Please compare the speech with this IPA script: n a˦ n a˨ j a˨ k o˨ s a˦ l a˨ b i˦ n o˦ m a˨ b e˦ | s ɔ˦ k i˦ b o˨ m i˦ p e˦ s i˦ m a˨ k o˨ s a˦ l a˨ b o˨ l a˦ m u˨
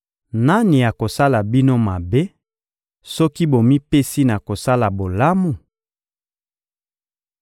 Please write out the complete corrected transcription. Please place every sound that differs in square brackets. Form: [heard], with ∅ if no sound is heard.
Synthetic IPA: n a˦ n [i˨] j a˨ k o˨ s a˦ l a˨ b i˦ n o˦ m a˨ b e˦ | s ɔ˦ k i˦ b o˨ m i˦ p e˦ s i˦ [n] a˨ k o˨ s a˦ l a˨ b o˨ l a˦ m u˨